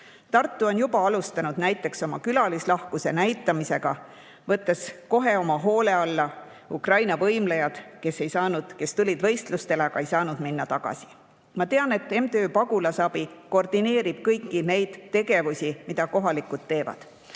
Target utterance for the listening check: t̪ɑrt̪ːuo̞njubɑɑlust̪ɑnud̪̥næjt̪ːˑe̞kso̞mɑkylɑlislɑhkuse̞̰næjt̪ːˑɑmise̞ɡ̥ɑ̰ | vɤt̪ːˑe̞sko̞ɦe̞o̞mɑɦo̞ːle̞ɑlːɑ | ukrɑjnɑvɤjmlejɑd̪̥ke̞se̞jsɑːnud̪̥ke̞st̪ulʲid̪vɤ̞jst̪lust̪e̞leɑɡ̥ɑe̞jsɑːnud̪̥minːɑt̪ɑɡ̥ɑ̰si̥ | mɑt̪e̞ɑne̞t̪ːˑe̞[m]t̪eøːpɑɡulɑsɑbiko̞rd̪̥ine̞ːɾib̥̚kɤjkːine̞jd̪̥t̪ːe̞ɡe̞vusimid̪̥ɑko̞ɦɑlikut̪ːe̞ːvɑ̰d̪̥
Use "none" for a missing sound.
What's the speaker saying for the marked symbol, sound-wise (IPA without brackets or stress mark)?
m